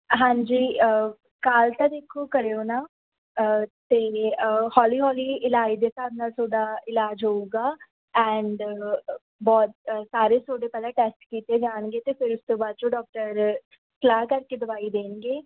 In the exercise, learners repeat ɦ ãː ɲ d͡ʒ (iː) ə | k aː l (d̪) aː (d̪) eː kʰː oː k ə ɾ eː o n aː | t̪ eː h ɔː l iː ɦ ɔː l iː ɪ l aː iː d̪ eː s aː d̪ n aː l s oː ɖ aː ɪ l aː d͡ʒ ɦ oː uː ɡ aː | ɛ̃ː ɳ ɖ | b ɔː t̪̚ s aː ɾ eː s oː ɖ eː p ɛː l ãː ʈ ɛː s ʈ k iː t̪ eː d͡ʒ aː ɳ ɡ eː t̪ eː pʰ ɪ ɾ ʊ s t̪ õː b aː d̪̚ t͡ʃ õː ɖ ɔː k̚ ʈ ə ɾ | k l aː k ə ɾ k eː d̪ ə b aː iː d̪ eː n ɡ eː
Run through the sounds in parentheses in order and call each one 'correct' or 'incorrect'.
correct, incorrect: t̪, correct

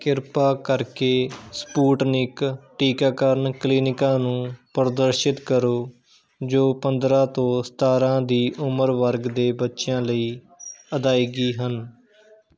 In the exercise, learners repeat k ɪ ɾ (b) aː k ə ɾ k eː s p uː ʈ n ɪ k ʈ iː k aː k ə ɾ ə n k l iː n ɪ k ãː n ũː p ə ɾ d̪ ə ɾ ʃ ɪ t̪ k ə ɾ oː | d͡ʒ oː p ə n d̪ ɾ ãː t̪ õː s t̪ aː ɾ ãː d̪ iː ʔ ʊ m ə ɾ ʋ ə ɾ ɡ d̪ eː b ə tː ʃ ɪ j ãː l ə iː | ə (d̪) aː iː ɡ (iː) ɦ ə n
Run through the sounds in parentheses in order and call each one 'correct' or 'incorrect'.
incorrect: p, correct, correct

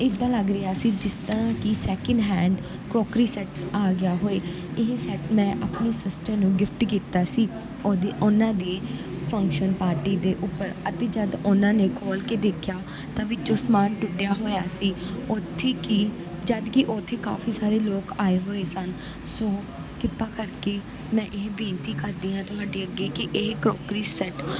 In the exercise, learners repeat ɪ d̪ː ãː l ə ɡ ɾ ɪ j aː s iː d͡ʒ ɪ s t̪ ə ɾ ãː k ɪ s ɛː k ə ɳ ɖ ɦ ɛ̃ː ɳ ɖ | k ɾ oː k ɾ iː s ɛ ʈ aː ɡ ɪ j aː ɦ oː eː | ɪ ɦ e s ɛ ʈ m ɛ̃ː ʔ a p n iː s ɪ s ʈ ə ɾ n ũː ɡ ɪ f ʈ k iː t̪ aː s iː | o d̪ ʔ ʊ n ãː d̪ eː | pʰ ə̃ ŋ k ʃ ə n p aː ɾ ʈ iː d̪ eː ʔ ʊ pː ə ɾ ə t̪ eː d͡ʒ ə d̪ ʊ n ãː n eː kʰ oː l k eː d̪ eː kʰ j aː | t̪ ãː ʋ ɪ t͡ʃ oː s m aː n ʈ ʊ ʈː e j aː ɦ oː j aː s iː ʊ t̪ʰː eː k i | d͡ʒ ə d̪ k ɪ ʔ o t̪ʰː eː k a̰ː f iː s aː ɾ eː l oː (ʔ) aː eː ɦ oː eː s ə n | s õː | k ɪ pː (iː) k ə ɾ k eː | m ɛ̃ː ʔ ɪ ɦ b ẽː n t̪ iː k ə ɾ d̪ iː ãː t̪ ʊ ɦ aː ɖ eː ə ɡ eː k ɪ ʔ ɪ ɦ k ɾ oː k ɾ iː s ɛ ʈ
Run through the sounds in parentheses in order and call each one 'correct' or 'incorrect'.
incorrect: k, incorrect: aː

